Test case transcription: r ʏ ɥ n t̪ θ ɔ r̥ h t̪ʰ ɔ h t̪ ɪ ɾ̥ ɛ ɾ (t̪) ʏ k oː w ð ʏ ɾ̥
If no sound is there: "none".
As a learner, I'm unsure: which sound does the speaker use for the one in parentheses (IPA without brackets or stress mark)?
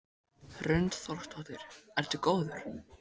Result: t̪